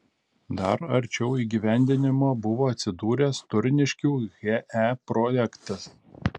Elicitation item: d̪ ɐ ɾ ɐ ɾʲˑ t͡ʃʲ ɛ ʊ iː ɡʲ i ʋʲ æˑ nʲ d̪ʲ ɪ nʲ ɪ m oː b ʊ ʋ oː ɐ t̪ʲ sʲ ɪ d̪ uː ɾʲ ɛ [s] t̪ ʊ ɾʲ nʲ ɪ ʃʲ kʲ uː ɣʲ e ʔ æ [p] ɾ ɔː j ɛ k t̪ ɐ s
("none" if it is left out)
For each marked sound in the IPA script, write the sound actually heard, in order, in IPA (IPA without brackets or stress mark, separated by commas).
s, p